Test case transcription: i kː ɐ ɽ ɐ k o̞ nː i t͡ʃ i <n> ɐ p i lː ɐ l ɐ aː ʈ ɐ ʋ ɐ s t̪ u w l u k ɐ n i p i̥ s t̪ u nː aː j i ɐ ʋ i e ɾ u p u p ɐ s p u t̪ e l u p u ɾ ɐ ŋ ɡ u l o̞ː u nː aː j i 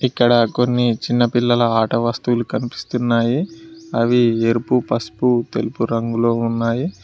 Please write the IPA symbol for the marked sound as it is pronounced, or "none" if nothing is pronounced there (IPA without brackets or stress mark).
nː